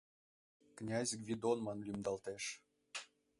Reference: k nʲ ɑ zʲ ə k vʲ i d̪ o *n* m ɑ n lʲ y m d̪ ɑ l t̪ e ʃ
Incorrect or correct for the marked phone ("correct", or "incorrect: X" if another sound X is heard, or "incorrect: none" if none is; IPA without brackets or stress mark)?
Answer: correct